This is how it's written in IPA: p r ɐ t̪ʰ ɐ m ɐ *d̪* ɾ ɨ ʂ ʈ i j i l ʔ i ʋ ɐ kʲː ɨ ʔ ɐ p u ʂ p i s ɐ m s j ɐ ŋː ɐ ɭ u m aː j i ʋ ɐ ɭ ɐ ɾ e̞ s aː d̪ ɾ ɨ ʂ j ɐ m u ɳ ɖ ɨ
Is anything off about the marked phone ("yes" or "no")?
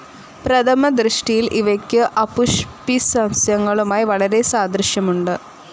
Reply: no